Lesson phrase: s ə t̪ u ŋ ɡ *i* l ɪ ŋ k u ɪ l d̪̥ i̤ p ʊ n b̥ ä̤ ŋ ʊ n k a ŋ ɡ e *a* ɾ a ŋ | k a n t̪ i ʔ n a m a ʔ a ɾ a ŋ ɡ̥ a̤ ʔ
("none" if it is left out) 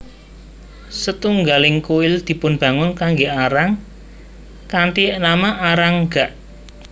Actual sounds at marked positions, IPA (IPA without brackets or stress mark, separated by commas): a, a